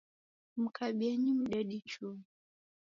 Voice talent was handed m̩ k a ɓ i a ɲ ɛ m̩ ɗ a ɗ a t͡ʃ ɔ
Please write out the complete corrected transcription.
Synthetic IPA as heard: m̩ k a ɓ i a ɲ i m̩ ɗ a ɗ i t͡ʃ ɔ